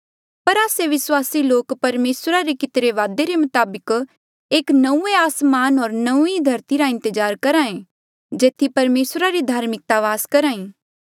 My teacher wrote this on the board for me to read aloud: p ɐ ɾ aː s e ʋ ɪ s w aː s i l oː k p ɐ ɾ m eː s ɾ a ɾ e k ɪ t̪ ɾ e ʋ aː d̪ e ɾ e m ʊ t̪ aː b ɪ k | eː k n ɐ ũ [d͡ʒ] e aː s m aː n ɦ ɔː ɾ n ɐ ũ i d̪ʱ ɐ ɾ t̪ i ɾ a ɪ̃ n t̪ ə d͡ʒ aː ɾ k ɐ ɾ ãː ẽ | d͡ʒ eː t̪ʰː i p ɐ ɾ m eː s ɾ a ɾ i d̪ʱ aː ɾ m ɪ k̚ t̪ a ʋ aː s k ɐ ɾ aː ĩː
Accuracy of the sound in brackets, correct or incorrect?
incorrect